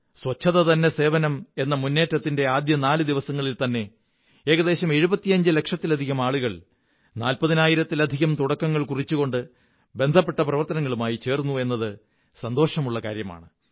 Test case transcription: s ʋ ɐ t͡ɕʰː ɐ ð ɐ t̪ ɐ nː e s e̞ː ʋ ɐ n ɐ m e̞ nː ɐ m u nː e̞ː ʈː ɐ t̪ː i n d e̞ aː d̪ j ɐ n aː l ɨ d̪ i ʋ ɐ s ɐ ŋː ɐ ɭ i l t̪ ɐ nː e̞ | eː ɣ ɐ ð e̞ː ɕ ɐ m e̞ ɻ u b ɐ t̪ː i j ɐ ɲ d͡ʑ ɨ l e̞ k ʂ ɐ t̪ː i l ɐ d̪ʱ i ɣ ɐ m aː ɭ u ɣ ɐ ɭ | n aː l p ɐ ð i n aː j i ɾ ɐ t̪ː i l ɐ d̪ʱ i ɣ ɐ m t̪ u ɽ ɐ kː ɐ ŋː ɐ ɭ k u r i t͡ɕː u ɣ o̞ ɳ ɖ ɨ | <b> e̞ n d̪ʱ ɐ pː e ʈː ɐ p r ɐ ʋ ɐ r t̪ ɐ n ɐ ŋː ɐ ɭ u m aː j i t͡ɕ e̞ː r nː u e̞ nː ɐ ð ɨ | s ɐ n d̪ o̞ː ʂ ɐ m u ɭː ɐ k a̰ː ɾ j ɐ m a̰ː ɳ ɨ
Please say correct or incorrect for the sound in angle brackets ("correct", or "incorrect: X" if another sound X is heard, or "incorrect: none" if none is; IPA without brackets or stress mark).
correct